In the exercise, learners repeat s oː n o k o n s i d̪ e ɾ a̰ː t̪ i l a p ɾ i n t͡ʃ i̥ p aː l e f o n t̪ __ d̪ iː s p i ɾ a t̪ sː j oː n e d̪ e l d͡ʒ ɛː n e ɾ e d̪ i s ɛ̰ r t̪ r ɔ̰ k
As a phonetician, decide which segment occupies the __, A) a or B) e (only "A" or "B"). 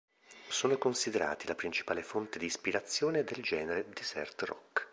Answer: B